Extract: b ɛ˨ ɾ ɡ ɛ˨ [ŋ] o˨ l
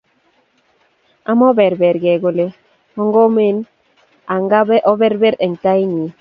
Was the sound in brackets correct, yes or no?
no